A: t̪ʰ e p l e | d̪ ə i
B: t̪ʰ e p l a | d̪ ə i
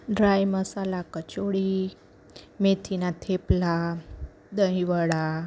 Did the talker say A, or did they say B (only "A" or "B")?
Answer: B